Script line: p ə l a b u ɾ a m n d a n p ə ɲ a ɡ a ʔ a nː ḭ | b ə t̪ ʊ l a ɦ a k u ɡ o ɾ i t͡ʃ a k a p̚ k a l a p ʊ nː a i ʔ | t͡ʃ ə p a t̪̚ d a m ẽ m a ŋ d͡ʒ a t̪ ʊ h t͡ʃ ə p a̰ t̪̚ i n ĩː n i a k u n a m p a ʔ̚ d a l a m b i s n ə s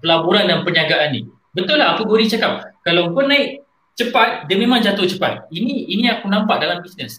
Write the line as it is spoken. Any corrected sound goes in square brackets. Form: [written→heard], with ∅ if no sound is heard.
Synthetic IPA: p ə l a b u ɾ a [m→∅] n d a n p ə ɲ a ɡ a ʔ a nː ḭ | b ə t̪ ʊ l a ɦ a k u ɡ o ɾ i t͡ʃ a k a p̚ k a l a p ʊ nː a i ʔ | t͡ʃ ə p a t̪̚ d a m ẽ m a ŋ d͡ʒ a t̪ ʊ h t͡ʃ ə p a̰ t̪̚ i n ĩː n i a k u n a m p a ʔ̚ d a l a m b i s n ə s